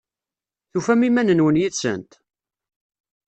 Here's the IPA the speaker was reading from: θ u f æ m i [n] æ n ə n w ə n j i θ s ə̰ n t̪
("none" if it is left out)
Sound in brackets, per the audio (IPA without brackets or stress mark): m